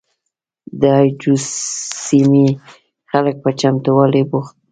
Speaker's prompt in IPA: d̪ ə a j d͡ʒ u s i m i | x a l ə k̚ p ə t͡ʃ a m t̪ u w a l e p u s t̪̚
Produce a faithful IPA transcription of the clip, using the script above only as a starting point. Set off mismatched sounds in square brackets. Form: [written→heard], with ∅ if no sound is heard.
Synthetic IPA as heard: d̪ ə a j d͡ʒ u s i m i | x a l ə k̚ p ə t͡ʃ a m t̪ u w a l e [p→b] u [s→x] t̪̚

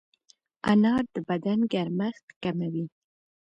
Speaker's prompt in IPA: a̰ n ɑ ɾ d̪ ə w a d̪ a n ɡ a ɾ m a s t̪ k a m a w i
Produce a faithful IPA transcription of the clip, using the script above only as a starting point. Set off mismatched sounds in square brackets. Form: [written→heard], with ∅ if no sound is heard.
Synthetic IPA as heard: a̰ n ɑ ɾ d̪ ə [w→b] a d̪ a n ɡ a ɾ m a [s→x] t̪ k a m a w i

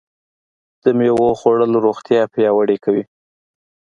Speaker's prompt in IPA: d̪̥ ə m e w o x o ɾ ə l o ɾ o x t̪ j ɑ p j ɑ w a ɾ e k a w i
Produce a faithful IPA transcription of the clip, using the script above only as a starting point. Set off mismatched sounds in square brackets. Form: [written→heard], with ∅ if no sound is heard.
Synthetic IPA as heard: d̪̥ ə m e w o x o [ɾ→ɽ] ə l o ɾ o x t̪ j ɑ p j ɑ w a [ɾ→ɽ] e k a w i

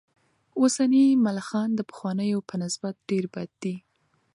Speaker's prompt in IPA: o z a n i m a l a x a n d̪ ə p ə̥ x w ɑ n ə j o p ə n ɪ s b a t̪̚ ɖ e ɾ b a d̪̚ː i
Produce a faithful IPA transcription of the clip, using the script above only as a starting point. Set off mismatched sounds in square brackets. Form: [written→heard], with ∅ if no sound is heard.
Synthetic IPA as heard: o [z→s] a n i m a l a x [a→ɑ] n d̪ ə p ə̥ x w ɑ n ə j o p ə n ɪ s b a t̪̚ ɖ e ɾ b a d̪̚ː i

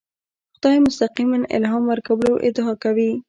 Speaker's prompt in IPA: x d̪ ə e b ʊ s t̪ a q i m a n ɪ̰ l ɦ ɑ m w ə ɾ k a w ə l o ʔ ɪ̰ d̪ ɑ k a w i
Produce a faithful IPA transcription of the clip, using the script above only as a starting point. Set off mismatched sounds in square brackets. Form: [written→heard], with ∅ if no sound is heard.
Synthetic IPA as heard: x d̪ [ə→ɑ] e [b→m] ʊ s t̪ a q i m a n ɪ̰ l ɦ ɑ m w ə ɾ k a w ə l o ʔ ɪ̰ d̪ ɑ k a w i

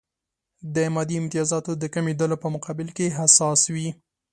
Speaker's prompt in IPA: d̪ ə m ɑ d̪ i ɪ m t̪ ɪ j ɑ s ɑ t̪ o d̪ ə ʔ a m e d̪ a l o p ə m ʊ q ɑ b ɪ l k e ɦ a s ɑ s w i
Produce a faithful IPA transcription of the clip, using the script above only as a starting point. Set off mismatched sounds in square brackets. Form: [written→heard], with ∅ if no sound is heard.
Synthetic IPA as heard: d̪ ə m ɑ d̪ i ɪ m t̪ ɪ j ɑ [s→z] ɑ t̪ o d̪ ə [ʔ→k] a m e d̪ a l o p ə m ʊ q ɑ b ɪ l k e ɦ a s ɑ s w i

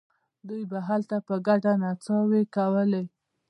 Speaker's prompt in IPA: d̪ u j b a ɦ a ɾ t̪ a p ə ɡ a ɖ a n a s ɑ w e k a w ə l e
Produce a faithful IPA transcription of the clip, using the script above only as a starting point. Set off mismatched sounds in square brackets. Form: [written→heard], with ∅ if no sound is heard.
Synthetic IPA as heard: d̪ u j b a ɦ a [ɾ→l] t̪ a p ə ɡ a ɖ a n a [s→t͡s] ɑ w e k a w ə l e

